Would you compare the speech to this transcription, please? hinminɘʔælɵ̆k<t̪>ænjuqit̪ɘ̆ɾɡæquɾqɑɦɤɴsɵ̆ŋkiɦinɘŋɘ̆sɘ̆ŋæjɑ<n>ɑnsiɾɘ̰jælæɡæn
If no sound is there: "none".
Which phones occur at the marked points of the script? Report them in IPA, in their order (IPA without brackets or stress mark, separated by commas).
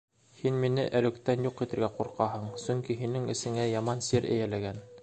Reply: t̪, m